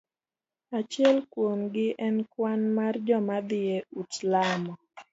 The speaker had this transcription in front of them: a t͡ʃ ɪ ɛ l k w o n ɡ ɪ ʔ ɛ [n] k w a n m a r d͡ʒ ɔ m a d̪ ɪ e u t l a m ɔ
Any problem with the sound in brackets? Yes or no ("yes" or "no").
no